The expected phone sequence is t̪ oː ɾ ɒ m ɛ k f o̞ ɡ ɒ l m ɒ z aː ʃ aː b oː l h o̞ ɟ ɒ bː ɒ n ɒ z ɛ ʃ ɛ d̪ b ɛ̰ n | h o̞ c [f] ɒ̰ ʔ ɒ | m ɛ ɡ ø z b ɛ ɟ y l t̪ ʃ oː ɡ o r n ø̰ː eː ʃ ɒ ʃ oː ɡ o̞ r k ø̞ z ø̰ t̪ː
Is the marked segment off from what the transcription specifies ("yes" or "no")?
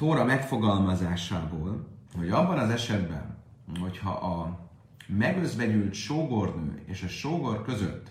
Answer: yes